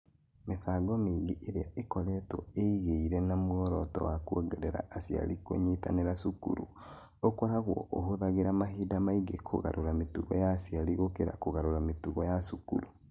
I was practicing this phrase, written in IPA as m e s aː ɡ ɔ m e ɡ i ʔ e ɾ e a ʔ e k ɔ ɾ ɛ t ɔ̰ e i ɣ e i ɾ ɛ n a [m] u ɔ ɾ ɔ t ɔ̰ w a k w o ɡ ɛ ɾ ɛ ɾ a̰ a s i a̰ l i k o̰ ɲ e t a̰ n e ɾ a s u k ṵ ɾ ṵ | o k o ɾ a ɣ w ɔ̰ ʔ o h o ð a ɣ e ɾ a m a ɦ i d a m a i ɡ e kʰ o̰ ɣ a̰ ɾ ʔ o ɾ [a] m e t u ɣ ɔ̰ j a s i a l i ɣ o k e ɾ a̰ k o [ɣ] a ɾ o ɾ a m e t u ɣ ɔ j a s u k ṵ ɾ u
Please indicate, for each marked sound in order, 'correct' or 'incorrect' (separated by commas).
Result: correct, correct, correct